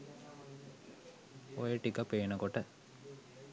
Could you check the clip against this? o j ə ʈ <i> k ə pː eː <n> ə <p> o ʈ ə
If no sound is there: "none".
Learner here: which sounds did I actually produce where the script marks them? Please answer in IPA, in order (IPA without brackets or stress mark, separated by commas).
i, n, k